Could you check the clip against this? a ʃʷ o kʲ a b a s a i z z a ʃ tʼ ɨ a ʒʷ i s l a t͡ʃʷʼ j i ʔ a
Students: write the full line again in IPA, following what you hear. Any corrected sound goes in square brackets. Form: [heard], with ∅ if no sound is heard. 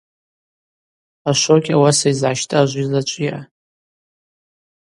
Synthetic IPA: a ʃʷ o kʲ a [w] a s a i z [ʕ] a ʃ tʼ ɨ a ʒʷ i [z] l a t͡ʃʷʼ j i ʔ a